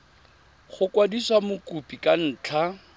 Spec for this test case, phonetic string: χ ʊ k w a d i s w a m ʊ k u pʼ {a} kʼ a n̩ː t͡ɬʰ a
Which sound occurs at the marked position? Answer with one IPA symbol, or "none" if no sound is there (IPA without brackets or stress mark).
i